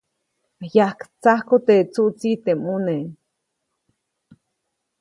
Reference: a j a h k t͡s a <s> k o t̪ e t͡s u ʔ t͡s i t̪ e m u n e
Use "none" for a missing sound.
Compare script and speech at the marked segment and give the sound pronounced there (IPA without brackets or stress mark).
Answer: h